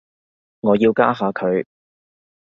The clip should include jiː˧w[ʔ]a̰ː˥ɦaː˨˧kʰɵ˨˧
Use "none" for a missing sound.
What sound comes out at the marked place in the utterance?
k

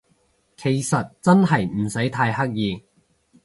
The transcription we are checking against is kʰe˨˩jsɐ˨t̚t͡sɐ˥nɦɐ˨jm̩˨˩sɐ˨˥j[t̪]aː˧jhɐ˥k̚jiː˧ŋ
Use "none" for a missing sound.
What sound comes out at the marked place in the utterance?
t̪ʰ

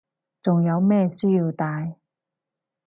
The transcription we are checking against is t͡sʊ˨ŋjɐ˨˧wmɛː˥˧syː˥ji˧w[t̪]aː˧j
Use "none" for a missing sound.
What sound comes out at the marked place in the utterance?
t̪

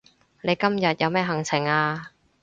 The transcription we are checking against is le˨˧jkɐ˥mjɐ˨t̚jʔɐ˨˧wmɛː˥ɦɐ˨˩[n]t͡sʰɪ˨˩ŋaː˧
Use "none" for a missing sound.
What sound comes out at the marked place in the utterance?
ŋ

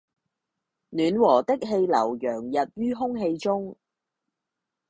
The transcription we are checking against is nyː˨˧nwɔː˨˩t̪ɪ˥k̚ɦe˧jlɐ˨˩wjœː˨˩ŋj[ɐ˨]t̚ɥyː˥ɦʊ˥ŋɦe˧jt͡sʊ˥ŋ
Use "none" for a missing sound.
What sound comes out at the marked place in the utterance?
ɐ˨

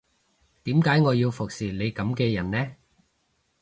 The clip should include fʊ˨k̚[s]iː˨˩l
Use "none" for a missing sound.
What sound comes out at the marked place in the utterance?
s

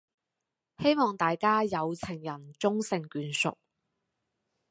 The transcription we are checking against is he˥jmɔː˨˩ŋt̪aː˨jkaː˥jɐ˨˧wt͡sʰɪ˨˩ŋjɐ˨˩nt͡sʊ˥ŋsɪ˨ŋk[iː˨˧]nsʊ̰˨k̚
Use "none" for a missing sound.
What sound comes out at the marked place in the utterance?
yː˨˧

